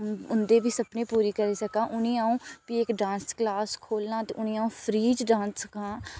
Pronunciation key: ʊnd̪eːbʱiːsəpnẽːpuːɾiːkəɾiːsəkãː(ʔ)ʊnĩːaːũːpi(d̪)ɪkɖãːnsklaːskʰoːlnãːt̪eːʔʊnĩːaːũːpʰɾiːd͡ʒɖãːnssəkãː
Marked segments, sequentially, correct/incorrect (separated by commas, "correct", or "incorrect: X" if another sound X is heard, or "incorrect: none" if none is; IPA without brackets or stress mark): correct, incorrect: none